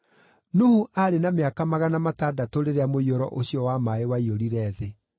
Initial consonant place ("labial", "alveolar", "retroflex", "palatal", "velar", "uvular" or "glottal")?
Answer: alveolar